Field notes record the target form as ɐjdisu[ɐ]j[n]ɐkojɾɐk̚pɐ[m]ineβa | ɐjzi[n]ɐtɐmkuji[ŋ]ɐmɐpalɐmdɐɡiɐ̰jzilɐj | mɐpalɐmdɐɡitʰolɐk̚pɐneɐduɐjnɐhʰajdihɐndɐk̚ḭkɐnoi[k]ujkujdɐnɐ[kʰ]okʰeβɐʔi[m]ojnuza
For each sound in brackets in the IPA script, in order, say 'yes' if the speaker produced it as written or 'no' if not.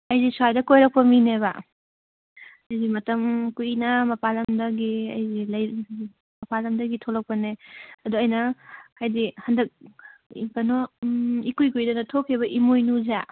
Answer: no, no, yes, no, no, yes, no, yes

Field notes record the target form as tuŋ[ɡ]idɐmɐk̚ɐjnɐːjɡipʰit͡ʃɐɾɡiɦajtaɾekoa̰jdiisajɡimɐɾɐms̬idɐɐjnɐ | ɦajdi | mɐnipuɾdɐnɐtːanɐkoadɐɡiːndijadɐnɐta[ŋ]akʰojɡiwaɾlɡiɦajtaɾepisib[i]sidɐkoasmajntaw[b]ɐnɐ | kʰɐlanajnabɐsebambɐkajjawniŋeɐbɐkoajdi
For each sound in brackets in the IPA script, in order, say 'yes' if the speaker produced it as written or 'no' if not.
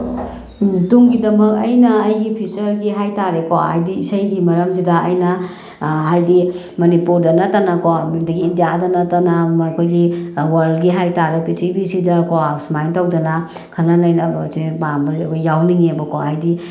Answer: yes, no, yes, no

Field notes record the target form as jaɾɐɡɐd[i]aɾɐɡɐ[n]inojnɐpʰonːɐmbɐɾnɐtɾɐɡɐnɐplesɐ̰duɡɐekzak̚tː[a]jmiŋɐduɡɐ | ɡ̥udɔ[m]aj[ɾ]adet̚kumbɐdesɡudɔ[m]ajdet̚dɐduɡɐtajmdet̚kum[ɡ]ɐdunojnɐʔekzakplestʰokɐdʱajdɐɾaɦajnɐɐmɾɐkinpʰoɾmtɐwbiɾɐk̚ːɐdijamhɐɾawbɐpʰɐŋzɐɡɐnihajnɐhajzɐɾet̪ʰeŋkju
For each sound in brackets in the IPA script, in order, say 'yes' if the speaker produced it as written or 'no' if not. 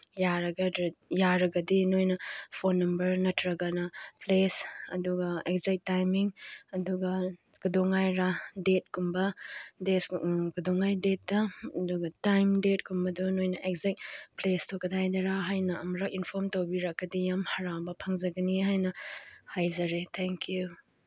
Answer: no, no, yes, no, yes, no, no

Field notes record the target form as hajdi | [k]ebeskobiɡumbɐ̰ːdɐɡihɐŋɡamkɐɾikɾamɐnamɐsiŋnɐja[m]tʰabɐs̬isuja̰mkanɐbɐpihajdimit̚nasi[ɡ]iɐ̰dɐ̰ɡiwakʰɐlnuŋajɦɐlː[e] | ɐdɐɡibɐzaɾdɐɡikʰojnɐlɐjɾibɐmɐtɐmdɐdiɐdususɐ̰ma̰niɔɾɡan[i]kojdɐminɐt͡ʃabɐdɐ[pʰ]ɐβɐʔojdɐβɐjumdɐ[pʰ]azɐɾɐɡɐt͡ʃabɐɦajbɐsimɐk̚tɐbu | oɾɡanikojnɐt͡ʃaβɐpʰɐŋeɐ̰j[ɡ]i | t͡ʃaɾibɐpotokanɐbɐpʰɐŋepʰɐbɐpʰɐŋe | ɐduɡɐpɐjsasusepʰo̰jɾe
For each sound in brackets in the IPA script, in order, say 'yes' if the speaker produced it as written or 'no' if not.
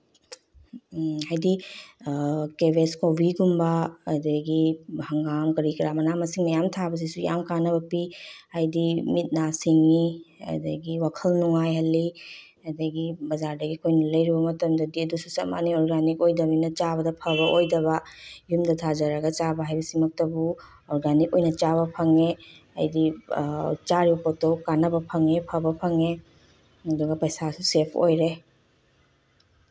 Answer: yes, yes, no, no, yes, yes, no, no

